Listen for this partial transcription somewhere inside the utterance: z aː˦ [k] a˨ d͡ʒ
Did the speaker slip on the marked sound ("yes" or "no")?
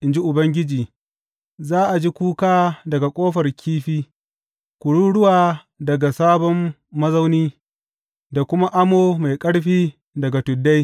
yes